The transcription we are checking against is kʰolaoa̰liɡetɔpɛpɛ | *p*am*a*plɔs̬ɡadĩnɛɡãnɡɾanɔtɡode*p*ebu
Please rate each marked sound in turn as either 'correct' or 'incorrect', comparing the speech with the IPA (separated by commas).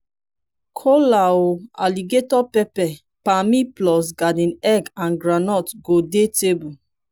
correct, incorrect, incorrect